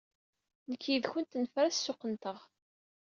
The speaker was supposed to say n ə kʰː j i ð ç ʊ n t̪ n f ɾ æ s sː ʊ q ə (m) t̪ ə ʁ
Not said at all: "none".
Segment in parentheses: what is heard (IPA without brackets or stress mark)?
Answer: n